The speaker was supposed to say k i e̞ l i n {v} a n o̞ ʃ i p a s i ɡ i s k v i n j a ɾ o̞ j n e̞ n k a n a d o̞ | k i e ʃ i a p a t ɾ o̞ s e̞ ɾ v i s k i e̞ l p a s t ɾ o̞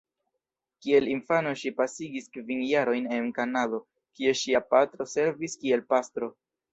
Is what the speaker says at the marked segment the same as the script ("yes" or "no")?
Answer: no